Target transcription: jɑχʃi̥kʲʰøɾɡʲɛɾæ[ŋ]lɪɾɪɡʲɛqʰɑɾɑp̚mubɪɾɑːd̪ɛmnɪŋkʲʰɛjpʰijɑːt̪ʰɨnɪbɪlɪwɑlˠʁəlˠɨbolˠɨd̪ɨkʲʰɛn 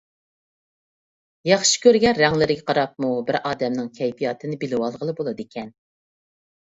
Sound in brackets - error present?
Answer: no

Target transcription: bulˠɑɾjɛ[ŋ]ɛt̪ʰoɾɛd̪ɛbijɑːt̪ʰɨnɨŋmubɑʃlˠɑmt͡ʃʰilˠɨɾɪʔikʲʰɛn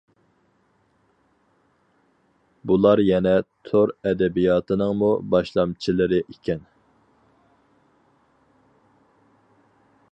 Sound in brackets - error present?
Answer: yes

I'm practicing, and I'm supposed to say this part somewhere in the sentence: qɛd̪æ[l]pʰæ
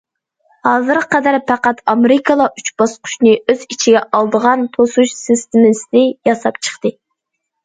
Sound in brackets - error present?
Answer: yes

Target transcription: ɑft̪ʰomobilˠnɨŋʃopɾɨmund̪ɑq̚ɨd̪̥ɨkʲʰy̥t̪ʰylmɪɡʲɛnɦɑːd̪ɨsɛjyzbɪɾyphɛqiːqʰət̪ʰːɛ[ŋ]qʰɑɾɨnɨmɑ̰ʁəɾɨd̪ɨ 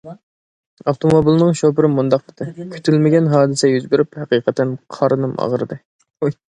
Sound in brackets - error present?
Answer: yes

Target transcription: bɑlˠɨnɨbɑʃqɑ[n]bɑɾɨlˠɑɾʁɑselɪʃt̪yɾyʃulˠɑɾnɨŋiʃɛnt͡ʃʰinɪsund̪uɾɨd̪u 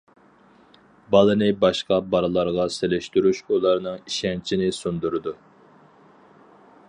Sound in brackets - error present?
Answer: yes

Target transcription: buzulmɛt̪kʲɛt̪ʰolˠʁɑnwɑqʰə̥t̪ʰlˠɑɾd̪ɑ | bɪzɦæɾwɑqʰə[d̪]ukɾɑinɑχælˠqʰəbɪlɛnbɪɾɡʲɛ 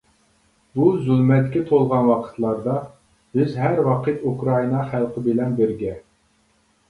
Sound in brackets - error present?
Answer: yes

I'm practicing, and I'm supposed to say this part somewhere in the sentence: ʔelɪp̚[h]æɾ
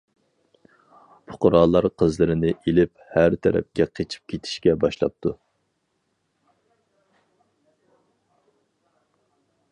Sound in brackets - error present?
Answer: no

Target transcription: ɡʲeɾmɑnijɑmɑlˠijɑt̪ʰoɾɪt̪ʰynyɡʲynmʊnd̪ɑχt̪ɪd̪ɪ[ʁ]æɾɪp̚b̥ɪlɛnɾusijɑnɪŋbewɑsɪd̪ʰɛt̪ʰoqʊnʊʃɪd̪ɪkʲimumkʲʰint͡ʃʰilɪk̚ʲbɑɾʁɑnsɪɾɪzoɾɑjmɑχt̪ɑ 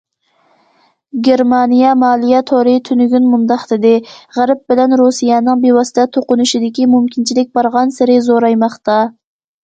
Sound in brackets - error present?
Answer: no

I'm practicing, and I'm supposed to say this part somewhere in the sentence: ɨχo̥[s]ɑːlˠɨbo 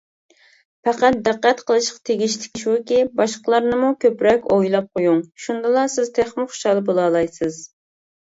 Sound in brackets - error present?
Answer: yes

